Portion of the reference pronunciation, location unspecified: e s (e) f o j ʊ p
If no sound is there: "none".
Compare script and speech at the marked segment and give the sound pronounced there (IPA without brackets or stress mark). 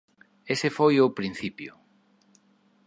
e